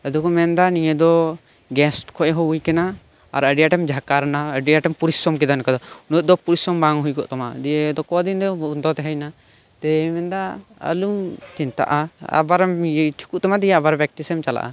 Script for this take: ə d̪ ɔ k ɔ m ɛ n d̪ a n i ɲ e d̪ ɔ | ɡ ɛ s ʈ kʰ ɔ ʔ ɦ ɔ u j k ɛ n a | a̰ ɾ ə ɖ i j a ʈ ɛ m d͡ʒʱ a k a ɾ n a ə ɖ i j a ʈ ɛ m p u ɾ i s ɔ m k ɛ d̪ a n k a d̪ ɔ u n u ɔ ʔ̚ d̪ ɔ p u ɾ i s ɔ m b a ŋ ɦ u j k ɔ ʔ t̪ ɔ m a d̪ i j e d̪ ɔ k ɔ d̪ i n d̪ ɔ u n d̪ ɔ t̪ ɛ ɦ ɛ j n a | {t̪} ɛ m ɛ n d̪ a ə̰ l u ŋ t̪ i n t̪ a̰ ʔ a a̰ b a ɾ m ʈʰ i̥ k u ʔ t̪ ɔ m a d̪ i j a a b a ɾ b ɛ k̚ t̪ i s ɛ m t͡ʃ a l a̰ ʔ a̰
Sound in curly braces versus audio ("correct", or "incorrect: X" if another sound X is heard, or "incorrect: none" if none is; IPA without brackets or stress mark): correct